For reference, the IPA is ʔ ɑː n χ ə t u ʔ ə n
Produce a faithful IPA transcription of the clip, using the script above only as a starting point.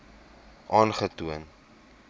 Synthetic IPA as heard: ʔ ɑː n χ ə t u ə n